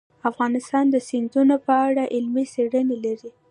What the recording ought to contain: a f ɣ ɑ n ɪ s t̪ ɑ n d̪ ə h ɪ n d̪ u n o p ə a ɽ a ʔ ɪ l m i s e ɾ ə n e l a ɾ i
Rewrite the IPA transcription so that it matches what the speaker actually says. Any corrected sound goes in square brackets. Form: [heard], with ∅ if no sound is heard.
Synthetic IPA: a f ɣ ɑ n ɪ s t̪ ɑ n d̪ ə [s] ɪ n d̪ u n o p ə a ɽ a ʔ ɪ l m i s e [ɽ] ə n e l a ɾ i